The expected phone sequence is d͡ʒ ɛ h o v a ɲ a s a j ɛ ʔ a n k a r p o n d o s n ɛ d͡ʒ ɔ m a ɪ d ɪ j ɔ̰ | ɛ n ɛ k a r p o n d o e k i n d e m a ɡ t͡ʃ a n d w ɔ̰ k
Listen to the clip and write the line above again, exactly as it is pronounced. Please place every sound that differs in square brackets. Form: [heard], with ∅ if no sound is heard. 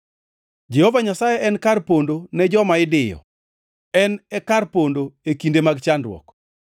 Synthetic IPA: d͡ʒ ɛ h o v a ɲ a s a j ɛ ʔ [ɛ] n k a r p o n d o [∅] n ɛ d͡ʒ ɔ m a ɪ d ɪ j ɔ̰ | ɛ n ɛ k a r p o n d o e k i n d e m a ɡ t͡ʃ a n d w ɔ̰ k